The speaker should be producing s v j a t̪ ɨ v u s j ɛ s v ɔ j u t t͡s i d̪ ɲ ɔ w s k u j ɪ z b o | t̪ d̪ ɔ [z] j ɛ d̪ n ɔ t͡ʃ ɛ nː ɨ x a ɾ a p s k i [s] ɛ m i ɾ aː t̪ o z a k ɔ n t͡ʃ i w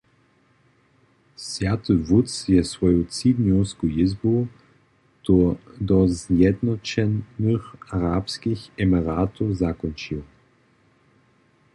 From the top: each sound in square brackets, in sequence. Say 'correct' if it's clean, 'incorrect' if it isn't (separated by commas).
correct, incorrect